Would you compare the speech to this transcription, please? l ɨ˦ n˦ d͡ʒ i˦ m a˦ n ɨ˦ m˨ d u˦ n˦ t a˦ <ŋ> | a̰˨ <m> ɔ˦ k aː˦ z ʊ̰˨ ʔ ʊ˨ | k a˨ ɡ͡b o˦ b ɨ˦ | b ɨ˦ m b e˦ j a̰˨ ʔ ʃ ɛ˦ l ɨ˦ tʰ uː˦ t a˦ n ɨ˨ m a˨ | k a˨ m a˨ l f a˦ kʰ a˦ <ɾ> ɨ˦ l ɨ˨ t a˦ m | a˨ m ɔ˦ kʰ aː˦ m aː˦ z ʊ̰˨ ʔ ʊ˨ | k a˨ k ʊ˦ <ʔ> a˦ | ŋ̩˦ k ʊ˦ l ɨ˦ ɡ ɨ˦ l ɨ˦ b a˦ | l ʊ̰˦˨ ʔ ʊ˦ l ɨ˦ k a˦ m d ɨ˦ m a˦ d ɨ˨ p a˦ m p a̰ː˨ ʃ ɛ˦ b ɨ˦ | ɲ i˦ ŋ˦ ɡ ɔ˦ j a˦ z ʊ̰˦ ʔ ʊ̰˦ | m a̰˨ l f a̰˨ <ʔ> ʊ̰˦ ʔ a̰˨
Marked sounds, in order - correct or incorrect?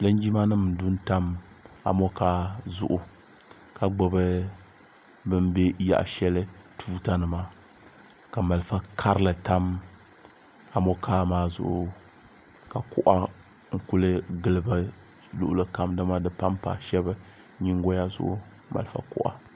incorrect: m, correct, correct, correct, incorrect: k

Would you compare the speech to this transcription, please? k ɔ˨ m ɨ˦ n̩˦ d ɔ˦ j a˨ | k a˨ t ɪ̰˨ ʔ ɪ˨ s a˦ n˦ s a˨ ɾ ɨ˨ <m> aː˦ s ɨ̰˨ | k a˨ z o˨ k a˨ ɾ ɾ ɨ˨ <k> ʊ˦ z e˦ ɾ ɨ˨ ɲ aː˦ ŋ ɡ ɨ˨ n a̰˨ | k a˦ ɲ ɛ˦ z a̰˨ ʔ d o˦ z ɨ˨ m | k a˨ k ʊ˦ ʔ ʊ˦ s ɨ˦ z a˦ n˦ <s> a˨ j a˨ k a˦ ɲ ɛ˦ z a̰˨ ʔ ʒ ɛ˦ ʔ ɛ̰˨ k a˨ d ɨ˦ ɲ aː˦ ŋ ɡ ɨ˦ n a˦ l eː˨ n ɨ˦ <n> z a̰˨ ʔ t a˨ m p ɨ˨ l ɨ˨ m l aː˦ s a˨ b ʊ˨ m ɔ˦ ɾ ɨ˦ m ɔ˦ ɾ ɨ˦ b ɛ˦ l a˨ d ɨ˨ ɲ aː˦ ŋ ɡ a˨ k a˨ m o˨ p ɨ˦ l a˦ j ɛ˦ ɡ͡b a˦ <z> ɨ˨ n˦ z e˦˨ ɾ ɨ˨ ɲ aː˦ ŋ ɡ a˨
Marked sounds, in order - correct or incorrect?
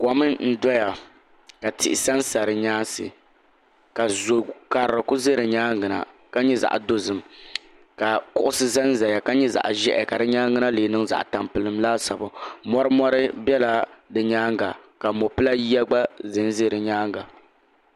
incorrect: ɲ, correct, incorrect: z, incorrect: ŋ, correct

